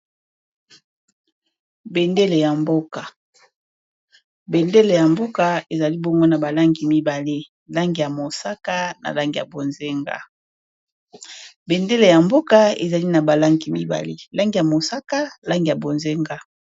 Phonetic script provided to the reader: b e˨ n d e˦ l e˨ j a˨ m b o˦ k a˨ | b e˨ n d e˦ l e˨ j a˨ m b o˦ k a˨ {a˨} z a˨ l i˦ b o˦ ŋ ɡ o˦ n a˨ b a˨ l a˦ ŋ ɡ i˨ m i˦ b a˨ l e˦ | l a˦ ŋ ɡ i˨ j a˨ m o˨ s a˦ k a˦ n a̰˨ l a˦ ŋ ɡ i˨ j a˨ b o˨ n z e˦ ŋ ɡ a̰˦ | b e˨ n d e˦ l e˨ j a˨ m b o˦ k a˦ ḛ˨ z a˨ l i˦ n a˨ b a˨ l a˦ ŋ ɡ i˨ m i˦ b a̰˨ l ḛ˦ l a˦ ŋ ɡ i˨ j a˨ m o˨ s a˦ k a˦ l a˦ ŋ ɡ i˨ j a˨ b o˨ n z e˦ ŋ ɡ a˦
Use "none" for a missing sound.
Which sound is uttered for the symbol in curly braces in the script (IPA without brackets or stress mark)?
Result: e˨